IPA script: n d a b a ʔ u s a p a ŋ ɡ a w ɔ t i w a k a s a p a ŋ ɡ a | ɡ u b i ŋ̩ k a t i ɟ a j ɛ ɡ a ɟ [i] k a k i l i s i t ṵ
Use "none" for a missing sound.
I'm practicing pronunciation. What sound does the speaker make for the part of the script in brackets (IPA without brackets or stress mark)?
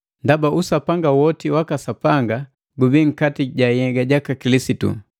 a